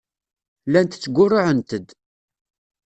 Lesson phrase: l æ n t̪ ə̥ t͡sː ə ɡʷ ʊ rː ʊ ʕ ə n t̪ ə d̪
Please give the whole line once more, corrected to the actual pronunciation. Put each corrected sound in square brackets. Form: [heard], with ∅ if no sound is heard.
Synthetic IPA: l æ n t̪ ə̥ t͡sː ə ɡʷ ʊ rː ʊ ʕ ə n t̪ ə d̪